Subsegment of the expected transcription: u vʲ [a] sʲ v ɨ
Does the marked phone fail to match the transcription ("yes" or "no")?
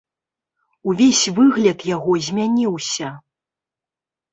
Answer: yes